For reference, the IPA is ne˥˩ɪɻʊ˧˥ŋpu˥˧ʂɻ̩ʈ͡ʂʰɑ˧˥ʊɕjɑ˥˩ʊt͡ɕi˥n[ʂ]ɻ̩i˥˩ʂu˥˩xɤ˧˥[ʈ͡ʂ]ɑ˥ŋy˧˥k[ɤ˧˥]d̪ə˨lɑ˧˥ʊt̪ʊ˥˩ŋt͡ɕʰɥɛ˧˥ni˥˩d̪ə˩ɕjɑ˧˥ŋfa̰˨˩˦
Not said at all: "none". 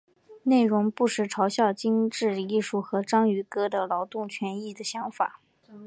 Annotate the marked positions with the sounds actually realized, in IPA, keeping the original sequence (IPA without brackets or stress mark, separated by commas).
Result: ʈ͡ʂ, ʈ͡ʂ, ɤ˥